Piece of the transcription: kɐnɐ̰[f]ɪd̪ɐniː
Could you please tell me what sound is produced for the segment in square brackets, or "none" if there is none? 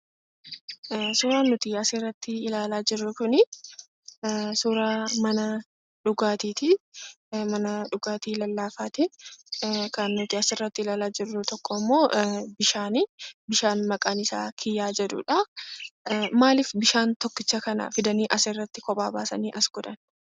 f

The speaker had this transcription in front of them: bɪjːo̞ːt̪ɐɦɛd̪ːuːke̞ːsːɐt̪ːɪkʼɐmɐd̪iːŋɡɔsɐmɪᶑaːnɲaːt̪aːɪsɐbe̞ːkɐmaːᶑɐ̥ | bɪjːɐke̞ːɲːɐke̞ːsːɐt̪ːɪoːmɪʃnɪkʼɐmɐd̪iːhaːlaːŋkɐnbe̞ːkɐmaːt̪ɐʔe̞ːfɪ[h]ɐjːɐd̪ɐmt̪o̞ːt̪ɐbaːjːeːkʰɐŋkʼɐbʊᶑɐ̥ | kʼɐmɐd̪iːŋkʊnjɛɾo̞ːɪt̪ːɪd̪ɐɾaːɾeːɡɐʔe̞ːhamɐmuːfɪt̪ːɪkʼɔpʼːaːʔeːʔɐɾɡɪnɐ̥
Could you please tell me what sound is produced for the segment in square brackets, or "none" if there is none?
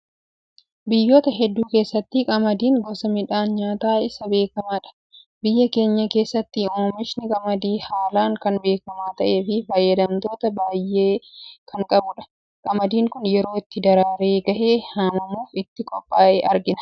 f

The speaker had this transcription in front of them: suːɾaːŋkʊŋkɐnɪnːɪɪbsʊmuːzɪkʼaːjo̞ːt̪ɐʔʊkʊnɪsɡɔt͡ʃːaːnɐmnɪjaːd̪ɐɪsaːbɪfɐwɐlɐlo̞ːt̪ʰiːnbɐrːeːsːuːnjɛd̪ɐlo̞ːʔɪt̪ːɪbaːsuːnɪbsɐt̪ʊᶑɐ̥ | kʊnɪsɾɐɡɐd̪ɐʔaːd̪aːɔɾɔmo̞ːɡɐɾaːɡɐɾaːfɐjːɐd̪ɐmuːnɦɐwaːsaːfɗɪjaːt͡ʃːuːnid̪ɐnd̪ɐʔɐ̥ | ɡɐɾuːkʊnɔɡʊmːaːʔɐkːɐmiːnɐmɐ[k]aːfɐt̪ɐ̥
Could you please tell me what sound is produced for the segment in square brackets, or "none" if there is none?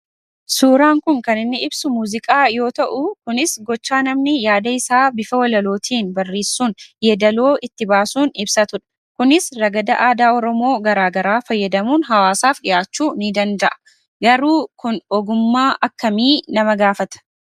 ɡ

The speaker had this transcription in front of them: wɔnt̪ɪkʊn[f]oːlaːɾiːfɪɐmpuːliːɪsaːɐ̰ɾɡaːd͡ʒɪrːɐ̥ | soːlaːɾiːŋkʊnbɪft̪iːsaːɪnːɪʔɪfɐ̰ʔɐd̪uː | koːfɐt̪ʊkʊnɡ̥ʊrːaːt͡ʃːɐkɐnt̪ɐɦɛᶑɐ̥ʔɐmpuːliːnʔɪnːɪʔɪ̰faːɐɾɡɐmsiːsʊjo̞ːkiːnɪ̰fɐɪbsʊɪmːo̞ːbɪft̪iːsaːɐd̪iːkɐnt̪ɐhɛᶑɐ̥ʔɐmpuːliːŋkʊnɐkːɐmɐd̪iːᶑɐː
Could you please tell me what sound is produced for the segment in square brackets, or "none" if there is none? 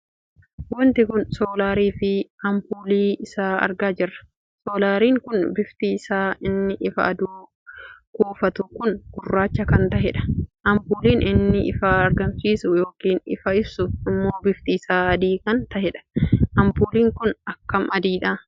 s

